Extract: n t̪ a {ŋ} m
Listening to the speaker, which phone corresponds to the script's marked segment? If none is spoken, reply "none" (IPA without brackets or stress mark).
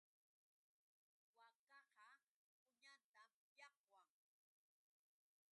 none